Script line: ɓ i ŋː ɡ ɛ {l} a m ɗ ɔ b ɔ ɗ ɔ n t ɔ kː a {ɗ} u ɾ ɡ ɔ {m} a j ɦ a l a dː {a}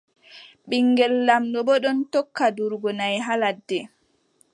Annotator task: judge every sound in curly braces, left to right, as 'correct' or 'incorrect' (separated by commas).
incorrect, incorrect, incorrect, incorrect